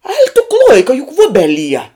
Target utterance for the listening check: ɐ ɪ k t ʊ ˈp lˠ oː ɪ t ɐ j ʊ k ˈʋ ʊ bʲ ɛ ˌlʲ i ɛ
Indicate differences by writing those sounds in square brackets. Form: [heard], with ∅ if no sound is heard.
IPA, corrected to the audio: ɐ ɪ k t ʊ [ˈk] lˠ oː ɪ [k] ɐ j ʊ k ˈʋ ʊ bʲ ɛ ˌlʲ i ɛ